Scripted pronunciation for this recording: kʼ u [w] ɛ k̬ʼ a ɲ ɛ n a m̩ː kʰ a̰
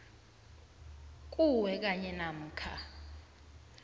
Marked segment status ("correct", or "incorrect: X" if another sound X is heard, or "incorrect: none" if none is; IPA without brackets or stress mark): correct